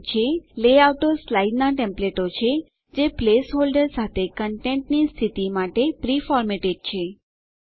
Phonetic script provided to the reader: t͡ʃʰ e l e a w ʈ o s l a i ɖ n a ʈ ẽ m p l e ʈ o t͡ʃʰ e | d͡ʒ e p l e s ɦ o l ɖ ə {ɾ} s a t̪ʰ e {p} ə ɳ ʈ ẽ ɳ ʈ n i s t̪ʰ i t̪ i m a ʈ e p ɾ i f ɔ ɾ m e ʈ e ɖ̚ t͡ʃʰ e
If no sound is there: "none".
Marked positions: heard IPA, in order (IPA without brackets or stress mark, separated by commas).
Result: ɾ, k